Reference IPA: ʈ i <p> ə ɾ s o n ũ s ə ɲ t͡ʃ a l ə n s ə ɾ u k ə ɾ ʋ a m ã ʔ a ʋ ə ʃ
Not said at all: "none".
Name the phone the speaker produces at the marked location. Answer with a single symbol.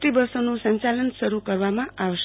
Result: b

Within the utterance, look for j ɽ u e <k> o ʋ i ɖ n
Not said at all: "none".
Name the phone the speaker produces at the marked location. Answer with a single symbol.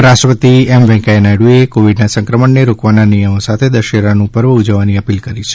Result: k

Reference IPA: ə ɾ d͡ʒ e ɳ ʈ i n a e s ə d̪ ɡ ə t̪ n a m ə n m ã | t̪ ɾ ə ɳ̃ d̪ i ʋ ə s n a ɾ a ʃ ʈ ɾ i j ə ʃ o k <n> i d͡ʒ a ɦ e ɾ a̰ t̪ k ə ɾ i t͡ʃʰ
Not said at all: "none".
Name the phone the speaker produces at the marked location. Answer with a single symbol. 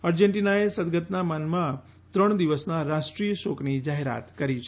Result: n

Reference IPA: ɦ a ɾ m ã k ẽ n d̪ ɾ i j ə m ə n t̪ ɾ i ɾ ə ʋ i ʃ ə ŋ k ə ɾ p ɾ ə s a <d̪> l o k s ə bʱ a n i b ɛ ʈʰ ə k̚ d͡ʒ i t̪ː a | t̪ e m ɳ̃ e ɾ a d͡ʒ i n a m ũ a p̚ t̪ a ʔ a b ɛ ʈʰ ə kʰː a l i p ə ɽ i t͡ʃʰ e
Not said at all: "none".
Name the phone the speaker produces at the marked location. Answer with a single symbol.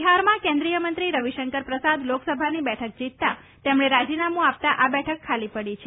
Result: d̪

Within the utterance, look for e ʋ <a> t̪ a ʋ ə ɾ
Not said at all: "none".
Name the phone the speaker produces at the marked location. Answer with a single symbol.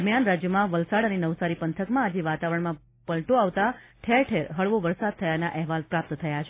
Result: a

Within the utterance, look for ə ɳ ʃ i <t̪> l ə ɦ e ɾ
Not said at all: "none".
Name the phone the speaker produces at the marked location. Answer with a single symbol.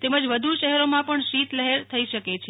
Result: t̪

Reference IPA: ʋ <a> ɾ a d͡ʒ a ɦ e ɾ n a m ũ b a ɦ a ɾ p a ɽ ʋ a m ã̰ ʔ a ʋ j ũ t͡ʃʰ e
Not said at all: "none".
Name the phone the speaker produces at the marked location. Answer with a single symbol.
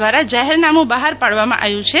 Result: a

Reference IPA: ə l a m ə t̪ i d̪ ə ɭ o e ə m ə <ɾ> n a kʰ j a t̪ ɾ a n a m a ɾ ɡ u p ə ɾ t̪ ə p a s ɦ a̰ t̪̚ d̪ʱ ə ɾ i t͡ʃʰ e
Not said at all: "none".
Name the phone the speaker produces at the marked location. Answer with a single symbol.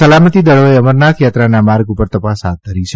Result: ɾ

